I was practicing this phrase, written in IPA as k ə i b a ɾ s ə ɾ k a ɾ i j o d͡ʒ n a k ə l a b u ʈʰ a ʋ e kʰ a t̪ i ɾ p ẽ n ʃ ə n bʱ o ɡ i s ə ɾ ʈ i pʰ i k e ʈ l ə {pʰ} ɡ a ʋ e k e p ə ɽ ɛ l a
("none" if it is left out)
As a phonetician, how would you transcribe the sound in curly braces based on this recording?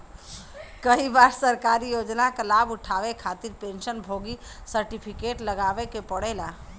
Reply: none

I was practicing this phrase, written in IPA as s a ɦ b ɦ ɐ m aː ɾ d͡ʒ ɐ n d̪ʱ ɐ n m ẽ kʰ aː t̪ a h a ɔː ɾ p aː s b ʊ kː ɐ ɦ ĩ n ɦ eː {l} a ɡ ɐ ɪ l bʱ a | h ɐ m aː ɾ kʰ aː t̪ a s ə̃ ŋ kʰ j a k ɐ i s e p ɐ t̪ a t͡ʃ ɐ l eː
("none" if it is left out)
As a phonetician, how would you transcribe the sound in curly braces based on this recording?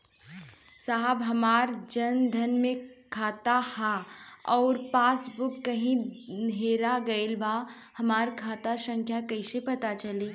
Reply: ɾ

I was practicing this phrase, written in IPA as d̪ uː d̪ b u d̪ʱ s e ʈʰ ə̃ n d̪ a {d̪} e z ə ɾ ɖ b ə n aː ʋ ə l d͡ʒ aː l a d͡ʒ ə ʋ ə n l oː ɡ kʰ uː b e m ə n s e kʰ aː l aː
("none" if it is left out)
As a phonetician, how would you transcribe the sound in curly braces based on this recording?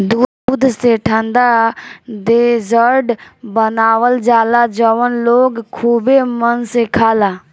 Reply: d̪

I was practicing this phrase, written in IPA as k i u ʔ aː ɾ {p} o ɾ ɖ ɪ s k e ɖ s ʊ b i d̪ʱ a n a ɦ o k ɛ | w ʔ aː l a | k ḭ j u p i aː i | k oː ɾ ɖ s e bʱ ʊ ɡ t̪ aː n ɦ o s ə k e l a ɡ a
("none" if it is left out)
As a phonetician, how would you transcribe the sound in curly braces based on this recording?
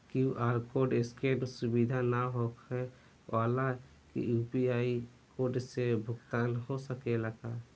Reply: k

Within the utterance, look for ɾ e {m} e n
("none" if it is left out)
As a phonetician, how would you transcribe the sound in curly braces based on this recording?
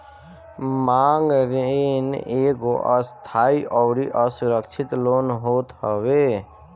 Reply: none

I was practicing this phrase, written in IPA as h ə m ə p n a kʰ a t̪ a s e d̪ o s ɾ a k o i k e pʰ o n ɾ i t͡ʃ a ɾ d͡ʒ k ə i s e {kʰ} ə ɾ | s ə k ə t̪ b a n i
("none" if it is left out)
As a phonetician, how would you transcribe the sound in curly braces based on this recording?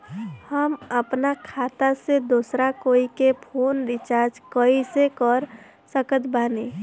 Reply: k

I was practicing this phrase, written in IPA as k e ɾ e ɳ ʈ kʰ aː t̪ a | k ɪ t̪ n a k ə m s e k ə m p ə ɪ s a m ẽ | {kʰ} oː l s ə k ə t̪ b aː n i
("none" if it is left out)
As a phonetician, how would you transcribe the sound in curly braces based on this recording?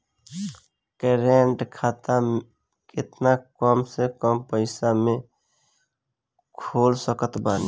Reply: kʰ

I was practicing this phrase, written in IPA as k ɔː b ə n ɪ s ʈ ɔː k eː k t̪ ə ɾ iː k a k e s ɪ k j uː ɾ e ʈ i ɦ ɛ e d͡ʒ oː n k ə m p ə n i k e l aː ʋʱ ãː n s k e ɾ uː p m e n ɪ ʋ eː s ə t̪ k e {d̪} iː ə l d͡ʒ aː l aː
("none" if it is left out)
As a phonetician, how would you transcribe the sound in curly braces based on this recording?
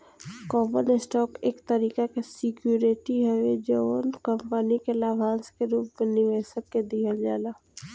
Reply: d̪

